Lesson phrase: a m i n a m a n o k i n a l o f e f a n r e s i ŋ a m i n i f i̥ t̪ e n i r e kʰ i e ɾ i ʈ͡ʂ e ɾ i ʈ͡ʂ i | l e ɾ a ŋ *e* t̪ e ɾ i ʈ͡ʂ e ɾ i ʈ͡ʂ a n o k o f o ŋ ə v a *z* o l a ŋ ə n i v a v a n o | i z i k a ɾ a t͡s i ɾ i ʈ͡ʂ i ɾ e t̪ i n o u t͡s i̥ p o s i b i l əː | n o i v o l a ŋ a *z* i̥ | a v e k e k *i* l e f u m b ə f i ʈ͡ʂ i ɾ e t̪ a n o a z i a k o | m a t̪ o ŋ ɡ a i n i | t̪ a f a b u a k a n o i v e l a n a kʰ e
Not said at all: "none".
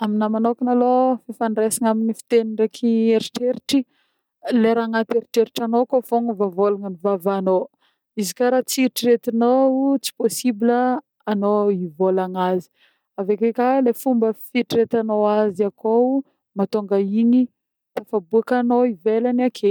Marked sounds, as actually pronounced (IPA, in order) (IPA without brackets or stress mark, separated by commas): a, v, z, a